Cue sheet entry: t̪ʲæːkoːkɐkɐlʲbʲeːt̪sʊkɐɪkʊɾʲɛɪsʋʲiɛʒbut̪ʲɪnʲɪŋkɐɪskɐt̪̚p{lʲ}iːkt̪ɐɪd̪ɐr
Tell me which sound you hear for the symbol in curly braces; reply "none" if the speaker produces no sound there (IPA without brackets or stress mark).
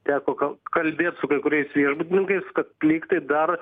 lʲ